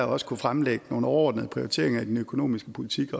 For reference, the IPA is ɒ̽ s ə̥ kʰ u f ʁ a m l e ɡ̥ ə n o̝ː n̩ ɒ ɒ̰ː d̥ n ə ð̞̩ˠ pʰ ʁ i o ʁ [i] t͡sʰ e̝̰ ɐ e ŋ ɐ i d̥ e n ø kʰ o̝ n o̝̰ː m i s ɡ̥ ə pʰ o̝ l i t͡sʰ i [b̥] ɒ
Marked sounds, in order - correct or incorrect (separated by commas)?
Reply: correct, incorrect